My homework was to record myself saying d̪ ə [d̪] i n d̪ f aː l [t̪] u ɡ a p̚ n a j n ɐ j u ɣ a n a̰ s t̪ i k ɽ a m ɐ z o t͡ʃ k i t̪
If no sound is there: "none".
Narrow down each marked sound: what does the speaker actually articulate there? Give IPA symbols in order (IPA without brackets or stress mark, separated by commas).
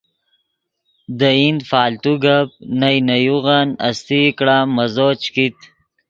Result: none, t̪